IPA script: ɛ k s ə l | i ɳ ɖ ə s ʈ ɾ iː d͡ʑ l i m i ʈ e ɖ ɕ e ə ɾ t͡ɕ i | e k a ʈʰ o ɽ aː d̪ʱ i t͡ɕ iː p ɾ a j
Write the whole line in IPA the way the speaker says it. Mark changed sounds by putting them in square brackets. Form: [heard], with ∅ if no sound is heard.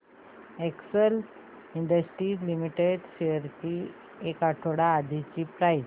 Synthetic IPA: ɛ k s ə l | i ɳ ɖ ə s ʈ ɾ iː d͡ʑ l i m i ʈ e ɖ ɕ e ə ɾ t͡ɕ i | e k a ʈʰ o ɽ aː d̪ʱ i t͡ɕ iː p ɾ a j